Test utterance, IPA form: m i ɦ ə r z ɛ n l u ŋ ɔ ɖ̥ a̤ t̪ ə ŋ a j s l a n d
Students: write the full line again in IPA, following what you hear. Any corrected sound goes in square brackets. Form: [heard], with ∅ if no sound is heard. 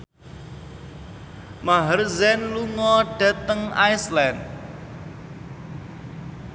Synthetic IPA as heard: m [a] ɦ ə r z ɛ n l u ŋ ɔ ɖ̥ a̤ t̪ ə ŋ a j s l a n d